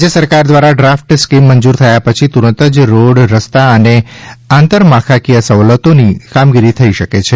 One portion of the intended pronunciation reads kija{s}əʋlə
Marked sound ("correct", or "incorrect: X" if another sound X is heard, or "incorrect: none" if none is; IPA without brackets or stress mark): correct